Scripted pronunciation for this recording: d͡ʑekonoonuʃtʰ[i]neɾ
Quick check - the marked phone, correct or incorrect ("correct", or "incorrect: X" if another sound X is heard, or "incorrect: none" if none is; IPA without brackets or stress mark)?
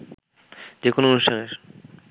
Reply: incorrect: a